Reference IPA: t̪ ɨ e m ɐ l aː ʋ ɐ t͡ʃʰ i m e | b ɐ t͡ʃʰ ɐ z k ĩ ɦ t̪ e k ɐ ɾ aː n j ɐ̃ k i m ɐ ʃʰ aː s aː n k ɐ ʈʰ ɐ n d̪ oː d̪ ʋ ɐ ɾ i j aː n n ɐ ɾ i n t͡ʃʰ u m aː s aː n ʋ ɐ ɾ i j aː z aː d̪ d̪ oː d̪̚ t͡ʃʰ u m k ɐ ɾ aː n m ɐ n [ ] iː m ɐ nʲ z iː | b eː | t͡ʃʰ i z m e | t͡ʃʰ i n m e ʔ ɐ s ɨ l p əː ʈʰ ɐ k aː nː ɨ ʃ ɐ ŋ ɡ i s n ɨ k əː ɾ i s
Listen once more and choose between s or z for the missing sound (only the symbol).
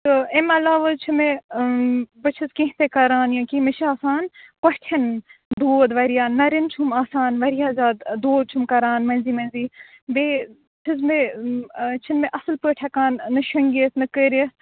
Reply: z